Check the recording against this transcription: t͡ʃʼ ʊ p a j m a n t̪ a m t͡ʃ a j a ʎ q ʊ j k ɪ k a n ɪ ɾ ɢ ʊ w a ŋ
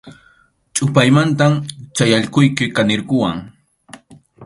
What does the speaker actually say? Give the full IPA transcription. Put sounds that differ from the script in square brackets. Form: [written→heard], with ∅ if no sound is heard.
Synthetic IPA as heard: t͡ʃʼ ʊ p a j m a n t̪ a m t͡ʃ a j a ʎ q ʊ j k ɪ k a n ɪ ɾ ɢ ʊ w a ŋ